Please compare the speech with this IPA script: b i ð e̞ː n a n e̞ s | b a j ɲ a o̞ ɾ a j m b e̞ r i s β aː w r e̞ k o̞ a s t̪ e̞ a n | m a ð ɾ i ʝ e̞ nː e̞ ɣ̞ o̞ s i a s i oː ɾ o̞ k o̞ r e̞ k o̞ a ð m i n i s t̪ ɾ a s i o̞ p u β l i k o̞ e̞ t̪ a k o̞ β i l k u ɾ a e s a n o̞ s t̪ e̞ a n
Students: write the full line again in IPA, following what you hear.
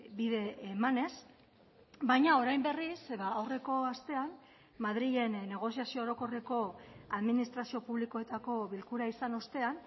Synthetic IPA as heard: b i ð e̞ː m a n e̞ s | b a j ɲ a o̞ ɾ a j m b e̞ r i s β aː w r e̞ k o̞ a s t̪ e̞ a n | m a ð ɾ i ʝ e̞ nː e̞ ɣ̞ o̞ s i a s i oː ɾ o̞ k o̞ r e̞ k o̞ a ð m i n i s t̪ ɾ a s i o̞ p u β l i k o̞ e̞ t̪ a k o̞ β i l k u ɾ a i s a n o̞ s t̪ e̞ a n